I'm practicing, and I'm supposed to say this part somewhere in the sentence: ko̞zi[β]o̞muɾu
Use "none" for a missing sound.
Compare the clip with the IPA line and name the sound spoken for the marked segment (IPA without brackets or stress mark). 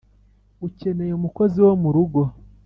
w